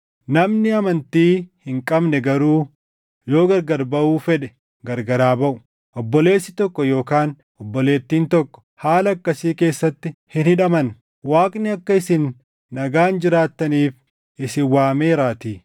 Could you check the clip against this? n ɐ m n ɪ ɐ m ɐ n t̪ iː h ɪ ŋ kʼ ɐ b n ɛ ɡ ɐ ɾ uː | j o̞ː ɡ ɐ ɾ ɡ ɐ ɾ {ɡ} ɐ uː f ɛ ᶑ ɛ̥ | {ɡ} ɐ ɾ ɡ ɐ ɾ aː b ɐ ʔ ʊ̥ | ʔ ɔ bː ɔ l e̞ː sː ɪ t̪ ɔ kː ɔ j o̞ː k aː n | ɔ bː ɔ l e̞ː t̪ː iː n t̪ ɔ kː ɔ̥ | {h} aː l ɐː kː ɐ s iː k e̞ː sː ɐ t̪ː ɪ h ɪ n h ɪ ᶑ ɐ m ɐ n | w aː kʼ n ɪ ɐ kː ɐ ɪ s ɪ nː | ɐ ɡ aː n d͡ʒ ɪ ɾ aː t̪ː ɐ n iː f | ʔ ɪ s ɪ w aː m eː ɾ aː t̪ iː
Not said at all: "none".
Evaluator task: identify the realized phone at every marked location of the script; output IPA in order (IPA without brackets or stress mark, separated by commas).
b, ɡ, h